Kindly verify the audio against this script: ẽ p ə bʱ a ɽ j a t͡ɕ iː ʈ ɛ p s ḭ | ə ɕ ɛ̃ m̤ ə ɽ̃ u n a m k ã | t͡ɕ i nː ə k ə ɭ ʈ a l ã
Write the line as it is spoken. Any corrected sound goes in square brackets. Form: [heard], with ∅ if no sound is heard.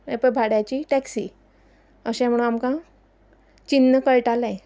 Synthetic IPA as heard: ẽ p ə bʱ a ɽ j a t͡ɕ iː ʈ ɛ [k] s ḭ | ə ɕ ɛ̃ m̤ ə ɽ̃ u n a m k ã | t͡ɕ i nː ə k ə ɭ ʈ a l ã